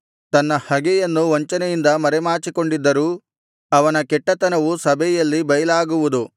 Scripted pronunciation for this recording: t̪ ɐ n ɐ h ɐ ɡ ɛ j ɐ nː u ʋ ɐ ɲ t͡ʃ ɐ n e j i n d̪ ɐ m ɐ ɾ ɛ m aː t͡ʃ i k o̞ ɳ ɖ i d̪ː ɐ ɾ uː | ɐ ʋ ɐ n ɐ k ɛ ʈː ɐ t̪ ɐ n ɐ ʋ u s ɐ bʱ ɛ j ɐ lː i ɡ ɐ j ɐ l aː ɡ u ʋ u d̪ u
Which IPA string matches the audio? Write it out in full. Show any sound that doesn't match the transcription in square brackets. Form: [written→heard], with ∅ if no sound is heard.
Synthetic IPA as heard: t̪ ɐ [n→nː] ɐ h ɐ ɡ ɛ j ɐ nː u ʋ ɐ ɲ t͡ʃ ɐ n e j i n d̪ ɐ m ɐ ɾ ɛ m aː t͡ʃ i k o̞ ɳ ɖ i d̪ː ɐ ɾ uː | ɐ ʋ ɐ n ɐ k ɛ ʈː ɐ t̪ ɐ n ɐ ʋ u s ɐ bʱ ɛ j ɐ lː i [ɡ→b] ɐ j ɐ l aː ɡ u ʋ u d̪ u